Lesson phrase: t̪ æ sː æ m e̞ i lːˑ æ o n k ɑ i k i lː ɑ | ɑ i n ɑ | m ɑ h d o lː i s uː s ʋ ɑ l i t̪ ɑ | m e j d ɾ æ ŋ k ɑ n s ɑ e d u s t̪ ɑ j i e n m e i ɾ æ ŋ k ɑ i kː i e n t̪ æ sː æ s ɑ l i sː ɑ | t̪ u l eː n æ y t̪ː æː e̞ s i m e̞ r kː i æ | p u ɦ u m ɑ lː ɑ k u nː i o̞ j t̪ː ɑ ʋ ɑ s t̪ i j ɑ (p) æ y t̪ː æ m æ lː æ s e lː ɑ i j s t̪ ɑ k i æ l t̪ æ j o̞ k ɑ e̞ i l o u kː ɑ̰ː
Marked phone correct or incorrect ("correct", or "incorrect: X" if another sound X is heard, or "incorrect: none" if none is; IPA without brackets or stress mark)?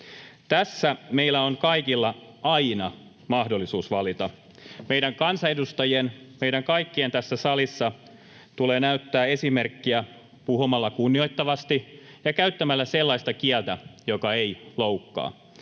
incorrect: k